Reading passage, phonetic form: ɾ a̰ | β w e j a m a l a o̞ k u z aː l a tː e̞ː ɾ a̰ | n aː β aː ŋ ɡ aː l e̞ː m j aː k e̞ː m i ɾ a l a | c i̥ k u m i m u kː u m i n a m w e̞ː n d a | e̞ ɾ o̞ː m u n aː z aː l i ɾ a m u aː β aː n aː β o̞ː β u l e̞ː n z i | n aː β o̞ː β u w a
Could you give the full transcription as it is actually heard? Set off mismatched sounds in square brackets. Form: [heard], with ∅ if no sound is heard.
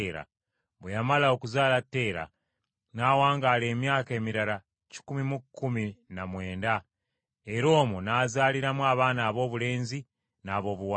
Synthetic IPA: ɾ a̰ | β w e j a m a l a o̞ k u z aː l a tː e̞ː ɾ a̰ | n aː [w] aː ŋ ɡ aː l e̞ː m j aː k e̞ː m i ɾ a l a | c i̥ k u m i m u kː u m i n a m w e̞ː n d a | e̞ ɾ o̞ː m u n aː z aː l i ɾ a m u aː β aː n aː β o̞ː β u l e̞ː n z i | n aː β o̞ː β u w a